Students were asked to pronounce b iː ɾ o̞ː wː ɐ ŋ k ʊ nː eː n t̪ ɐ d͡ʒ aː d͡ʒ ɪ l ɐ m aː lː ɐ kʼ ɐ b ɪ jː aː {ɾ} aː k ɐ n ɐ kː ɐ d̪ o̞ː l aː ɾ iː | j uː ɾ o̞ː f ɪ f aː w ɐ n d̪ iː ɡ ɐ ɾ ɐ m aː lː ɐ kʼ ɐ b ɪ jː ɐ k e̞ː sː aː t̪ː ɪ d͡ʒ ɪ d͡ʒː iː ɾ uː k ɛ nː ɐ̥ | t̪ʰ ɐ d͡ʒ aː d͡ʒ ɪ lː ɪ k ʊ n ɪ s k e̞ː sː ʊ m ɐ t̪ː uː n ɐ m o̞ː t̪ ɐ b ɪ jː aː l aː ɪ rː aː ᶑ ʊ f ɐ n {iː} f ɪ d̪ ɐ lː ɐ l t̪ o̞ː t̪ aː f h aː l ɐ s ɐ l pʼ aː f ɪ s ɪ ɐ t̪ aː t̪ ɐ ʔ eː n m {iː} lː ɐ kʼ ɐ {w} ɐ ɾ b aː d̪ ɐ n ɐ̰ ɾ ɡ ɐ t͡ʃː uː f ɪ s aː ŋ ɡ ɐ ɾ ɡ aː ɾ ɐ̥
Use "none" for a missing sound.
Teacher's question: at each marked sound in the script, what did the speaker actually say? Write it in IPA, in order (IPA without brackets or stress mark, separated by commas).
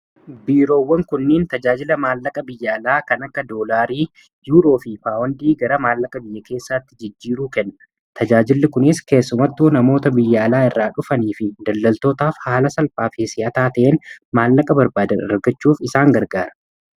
l, iː, aː, b